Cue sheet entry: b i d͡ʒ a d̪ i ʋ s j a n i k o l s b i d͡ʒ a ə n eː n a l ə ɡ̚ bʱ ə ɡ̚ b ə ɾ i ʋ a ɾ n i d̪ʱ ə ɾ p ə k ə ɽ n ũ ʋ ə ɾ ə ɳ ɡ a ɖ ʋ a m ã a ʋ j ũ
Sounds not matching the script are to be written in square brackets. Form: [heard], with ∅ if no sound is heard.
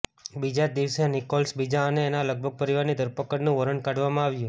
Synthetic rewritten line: b i d͡ʒ a d̪ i ʋ s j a n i k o l s b i d͡ʒ a ə n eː n a l ə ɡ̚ bʱ ə ɡ̚ [p] ə ɾ i ʋ a ɾ n i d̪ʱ ə ɾ p ə k ə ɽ n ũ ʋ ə ɾ ə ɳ [k] a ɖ ʋ a m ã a ʋ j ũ